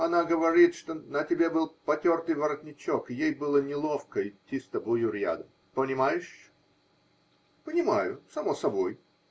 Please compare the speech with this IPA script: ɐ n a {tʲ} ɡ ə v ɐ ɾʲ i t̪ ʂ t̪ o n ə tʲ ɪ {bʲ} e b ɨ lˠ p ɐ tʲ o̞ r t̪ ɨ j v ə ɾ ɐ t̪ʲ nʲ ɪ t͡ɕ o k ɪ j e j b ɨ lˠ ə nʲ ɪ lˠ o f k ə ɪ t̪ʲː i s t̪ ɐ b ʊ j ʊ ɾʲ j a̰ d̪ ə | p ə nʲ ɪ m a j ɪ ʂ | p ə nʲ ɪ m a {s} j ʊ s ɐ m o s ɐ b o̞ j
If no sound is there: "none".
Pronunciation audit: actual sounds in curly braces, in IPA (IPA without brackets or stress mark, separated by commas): none, bʲ, none